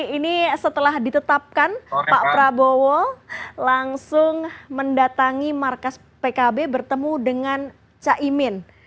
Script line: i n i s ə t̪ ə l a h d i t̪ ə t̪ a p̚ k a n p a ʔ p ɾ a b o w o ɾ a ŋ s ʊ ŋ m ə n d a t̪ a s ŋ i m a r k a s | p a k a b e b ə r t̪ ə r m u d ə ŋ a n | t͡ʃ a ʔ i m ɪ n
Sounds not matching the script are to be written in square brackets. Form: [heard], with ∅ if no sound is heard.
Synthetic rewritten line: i n i s ə t̪ ə l a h d i t̪ ə t̪ a p̚ k a n p a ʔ p ɾ a b o w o [l] a ŋ s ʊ ŋ m ə n d a t̪ a [∅] ŋ i m a r k a s | p [e] k a b e b ə r t̪ ə [∅] m u d ə ŋ a n | t͡ʃ a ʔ i m ɪ n